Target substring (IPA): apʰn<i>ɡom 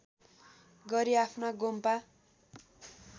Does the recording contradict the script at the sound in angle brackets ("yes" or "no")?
yes